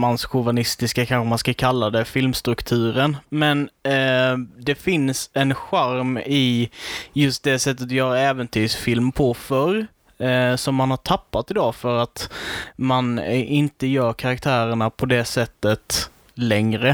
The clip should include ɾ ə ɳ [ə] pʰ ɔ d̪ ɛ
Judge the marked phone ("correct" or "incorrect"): incorrect